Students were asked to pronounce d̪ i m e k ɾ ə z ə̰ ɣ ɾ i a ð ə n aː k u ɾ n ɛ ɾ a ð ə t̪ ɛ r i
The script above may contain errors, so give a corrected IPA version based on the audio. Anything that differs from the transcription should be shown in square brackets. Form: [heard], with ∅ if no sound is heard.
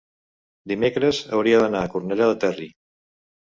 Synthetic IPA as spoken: d̪ i m e k ɾ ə z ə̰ [w] ɾ i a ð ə n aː k u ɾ n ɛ [ʎ] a ð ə t̪ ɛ r i